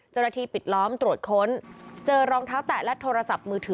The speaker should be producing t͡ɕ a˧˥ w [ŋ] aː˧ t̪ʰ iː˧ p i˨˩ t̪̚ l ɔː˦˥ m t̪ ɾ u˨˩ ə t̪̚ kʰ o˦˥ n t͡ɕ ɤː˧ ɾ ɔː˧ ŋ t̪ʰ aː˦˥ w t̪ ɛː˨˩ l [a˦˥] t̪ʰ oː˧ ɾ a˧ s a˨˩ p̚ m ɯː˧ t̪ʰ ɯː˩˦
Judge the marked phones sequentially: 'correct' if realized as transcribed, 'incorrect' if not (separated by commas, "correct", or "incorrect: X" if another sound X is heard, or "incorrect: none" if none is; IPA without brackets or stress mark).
incorrect: n, incorrect: ɛ˦˥